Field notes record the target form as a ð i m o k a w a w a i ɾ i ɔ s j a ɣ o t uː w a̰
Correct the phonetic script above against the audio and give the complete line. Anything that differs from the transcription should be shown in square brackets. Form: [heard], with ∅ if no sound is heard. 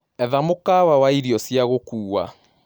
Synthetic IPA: [ɛ] ð [a] m o k a w a w a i ɾ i ɔ s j a ɣ o [k] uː w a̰